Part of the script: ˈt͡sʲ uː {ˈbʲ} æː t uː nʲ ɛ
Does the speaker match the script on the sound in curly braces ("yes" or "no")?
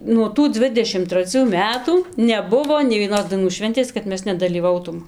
no